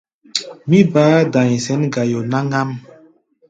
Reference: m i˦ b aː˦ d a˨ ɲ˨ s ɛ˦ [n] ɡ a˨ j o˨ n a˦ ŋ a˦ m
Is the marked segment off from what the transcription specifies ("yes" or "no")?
no